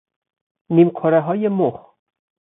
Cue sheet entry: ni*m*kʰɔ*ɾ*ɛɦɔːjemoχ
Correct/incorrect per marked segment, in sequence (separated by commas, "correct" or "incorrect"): correct, correct